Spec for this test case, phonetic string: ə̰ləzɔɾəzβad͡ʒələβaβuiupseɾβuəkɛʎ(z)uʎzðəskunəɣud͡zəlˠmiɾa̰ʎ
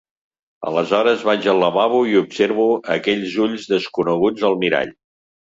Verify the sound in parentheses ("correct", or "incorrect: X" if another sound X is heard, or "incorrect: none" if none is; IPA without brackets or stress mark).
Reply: correct